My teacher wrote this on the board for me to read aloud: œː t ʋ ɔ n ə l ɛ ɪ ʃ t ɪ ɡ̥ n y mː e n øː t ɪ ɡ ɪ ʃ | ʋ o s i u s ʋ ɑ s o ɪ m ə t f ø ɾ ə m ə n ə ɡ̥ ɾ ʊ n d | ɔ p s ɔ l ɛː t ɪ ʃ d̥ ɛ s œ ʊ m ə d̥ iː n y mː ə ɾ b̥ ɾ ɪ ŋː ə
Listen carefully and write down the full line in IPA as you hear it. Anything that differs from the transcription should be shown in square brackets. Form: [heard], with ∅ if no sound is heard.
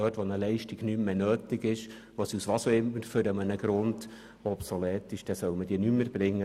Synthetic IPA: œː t ʋ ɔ n ə l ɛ ɪ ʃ t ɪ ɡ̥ n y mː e n øː t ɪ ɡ ɪ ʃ | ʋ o s i u s ʋ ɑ s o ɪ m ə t f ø ɾ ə m ə n ə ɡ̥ ɾ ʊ n d | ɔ p s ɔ l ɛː t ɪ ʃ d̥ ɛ s œ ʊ m ə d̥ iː n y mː ə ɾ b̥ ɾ ɪ ŋː ə